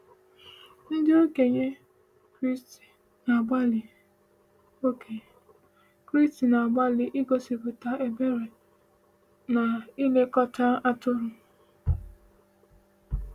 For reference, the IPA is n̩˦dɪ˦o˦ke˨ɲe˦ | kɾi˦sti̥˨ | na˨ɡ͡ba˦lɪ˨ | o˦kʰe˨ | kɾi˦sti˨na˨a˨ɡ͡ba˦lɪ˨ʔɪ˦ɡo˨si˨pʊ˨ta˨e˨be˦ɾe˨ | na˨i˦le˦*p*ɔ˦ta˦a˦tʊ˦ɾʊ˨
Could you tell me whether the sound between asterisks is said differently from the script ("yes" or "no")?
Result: yes